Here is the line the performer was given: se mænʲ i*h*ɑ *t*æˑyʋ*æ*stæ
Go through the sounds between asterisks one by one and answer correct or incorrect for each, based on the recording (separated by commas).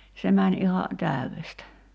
correct, correct, incorrect